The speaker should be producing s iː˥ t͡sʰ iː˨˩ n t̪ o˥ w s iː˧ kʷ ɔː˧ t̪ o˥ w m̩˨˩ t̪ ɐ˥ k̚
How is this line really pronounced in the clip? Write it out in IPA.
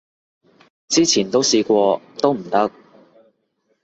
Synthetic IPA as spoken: t͡s iː˥ t͡sʰ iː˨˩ n t̪ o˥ w s iː˧ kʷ ɔː˧ t̪ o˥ w m̩˨˩ t̪ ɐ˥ k̚